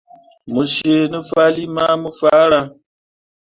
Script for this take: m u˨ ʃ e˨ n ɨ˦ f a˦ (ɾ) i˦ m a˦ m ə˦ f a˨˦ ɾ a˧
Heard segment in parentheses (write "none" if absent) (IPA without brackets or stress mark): l